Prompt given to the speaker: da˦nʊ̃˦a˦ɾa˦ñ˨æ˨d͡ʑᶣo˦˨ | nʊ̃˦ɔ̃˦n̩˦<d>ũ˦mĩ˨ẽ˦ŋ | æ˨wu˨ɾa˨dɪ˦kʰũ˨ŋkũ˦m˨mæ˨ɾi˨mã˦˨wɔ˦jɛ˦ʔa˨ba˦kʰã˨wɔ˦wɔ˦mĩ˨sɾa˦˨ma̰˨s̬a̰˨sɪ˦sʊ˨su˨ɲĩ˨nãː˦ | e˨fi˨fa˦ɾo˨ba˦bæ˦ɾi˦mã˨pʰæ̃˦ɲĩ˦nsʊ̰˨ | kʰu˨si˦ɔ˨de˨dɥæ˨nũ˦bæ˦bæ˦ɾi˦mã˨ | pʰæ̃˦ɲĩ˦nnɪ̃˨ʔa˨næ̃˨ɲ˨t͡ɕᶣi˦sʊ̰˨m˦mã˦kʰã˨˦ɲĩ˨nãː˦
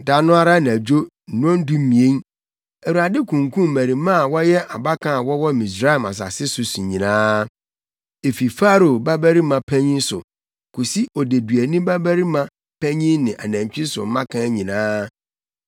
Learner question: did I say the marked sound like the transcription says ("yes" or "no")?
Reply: yes